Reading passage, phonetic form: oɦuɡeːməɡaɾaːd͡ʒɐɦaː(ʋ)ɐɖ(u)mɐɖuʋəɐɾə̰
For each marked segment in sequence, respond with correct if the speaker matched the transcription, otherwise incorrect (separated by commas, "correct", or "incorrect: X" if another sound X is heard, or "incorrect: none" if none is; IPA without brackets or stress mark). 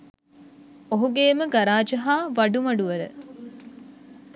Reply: correct, correct